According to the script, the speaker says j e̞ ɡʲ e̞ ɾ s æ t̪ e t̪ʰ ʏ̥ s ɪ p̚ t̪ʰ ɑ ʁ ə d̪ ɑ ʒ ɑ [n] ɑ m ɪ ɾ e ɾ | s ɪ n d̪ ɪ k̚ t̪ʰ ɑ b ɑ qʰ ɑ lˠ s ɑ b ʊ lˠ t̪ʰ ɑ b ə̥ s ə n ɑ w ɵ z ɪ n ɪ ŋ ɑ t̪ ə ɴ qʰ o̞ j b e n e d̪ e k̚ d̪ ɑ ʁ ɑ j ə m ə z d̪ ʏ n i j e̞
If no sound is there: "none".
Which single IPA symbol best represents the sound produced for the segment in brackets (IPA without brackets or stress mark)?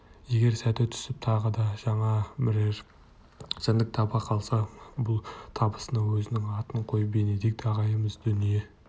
ɴ